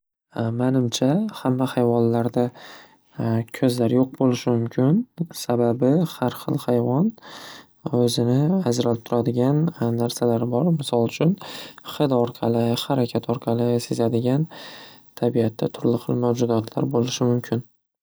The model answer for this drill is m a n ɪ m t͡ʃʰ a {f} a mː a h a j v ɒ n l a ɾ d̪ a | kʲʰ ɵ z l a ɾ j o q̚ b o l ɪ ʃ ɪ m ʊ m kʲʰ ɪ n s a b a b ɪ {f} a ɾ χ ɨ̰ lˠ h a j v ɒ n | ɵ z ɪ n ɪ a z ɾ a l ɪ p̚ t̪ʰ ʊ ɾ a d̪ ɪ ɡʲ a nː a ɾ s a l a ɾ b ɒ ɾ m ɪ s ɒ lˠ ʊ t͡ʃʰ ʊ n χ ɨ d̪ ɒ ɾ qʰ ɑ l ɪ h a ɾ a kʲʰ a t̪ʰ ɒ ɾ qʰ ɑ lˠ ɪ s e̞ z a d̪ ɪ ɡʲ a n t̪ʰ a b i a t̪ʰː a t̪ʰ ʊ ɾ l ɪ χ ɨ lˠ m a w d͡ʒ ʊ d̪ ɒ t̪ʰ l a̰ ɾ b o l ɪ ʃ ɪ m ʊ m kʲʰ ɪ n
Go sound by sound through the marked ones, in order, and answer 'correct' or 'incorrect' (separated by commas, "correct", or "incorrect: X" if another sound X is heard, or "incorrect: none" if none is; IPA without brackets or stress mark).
incorrect: h, incorrect: h